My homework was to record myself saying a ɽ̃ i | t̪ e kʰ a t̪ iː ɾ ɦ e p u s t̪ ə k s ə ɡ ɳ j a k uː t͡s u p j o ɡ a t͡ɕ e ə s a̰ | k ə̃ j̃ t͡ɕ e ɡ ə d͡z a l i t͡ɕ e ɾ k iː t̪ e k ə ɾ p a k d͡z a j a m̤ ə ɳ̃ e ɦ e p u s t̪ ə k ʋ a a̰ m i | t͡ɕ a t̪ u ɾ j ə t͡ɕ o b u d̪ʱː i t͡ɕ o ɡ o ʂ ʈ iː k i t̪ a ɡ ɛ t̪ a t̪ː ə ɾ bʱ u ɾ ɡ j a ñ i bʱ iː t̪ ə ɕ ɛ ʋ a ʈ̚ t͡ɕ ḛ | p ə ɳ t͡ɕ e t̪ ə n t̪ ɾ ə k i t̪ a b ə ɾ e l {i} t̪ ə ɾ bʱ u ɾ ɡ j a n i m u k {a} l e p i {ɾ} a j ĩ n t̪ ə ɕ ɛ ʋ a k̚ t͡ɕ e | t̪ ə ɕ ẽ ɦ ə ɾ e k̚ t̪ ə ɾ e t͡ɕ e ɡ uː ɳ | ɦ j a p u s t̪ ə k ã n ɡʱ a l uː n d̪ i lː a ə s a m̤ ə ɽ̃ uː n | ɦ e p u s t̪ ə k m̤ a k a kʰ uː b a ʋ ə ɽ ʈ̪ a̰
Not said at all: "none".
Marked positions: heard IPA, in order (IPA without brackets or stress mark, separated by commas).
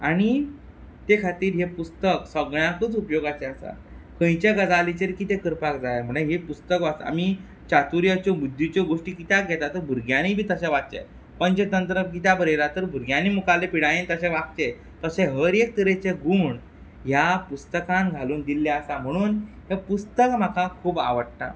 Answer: a, a, ɽ